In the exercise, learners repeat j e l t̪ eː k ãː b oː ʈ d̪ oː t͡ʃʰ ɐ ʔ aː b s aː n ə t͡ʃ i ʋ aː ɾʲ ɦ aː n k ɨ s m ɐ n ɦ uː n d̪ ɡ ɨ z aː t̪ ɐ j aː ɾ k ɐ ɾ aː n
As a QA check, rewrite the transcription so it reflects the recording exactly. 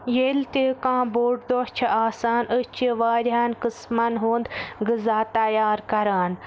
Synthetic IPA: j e l t̪ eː k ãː b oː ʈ d̪ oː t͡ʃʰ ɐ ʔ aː s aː n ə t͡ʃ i ʋ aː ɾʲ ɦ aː n k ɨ s m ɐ n ɦ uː n d̪ ɡ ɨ z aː t̪ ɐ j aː ɾ k ɐ ɾ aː n